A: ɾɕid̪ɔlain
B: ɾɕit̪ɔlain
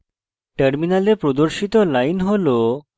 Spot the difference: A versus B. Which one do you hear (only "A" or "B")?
B